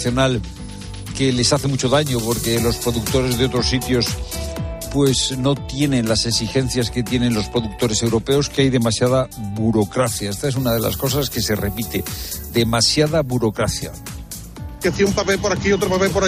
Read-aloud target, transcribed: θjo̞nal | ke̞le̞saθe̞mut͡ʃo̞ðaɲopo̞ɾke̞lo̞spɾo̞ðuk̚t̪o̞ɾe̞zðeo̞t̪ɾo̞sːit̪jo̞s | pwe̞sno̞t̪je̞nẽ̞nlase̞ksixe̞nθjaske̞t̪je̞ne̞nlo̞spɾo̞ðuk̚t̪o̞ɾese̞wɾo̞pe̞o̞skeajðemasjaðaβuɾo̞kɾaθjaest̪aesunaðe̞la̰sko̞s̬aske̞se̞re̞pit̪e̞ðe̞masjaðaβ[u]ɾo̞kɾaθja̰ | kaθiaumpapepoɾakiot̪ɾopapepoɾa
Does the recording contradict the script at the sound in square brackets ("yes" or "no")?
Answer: no